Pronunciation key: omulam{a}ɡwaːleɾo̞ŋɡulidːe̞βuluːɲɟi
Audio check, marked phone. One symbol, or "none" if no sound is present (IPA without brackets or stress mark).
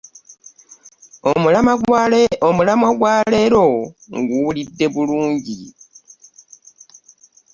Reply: a